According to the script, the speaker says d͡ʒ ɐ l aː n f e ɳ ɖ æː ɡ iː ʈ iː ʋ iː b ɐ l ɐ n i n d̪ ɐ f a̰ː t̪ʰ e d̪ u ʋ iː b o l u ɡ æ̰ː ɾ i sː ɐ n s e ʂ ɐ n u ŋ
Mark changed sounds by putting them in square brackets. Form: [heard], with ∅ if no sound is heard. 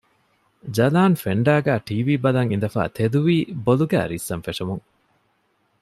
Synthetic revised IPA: d͡ʒ ɐ l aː n f e ɳ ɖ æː ɡ [æː] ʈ iː ʋ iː b ɐ l ɐ [ŋ] i n d̪ ɐ f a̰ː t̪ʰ e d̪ u ʋ iː b o l u ɡ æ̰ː ɾ i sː ɐ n [f] e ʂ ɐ [m] u ŋ